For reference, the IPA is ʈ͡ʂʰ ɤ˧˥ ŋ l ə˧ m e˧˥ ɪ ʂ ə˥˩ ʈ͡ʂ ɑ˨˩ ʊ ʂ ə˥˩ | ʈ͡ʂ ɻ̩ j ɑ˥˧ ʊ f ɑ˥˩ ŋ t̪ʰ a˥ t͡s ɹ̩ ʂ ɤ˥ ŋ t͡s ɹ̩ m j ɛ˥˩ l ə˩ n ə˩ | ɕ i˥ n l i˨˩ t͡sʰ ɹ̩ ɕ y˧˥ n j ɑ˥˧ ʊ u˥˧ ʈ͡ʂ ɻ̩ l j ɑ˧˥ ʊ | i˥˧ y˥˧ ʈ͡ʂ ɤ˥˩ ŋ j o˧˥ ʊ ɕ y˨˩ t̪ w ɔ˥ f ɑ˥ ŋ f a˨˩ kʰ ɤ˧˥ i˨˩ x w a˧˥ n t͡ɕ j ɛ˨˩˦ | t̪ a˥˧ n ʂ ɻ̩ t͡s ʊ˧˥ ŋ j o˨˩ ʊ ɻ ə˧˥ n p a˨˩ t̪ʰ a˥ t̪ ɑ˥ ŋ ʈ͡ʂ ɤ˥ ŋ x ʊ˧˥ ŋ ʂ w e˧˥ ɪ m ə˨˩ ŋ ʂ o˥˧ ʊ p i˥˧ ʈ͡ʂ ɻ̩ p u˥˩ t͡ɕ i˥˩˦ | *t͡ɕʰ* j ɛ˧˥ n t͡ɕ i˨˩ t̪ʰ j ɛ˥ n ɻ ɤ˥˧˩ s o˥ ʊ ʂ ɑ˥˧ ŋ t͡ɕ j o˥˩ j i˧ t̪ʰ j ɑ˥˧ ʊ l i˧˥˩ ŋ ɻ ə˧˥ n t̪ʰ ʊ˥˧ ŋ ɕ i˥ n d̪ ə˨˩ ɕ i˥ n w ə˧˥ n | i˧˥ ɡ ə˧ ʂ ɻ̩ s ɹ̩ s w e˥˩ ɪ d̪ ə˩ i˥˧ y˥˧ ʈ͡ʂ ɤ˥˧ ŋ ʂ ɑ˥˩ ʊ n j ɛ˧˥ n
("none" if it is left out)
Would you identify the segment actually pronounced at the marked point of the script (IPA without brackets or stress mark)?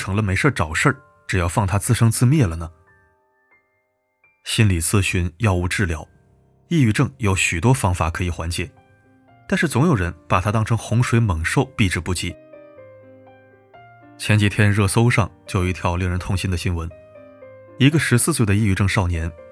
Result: t͡ɕʰ